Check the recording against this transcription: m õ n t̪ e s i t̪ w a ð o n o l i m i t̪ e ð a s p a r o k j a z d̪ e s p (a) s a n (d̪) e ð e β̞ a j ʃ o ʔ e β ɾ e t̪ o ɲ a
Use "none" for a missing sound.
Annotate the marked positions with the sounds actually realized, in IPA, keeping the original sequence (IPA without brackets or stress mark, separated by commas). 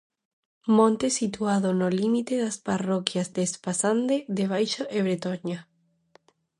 a, d̪